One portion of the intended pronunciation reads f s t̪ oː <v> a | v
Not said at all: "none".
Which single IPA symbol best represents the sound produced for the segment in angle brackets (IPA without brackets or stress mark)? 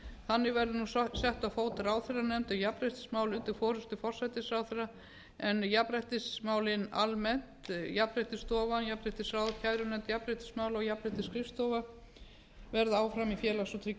v